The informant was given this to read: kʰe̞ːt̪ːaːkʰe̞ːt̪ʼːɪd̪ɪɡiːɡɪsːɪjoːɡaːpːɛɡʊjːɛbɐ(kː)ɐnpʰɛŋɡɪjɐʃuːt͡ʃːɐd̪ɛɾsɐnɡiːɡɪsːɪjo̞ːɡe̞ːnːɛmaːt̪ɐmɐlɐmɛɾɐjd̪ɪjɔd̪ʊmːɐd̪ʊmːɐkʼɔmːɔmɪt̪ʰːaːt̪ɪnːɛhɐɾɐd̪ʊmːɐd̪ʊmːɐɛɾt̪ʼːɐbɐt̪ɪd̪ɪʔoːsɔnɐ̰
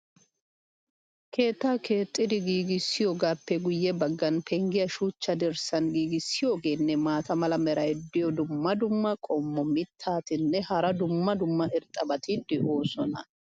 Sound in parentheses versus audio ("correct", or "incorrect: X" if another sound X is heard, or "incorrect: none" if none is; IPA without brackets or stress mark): incorrect: ɡː